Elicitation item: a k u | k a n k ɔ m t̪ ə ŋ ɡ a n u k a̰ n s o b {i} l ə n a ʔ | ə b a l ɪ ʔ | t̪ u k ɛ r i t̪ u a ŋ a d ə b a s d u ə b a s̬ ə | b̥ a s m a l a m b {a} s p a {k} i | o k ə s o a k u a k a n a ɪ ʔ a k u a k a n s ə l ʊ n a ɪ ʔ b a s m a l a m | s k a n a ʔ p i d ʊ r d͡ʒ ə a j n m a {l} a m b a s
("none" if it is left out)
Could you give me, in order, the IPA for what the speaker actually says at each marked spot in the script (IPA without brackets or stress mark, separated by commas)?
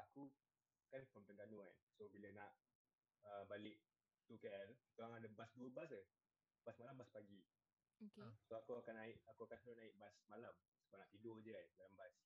i, a, ɡ, l